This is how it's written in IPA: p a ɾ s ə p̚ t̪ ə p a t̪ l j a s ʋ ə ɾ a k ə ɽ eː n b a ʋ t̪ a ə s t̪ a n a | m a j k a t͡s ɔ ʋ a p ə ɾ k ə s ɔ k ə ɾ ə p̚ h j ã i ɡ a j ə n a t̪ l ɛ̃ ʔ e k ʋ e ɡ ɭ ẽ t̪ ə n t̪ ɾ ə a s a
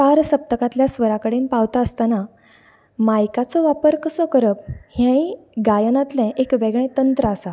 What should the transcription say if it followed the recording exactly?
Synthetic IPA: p a ɾ s ə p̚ t̪ ə k a t̪ l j a s ʋ ə ɾ a k ə ɽ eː n p a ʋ t̪ a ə s t̪ a n a | m a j k a t͡s ɔ ʋ a p ə ɾ k ə s ɔ k ə ɾ ə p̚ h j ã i ɡ a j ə n a t̪ l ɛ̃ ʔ e k ʋ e ɡ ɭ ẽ t̪ ə n t̪ ɾ ə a s a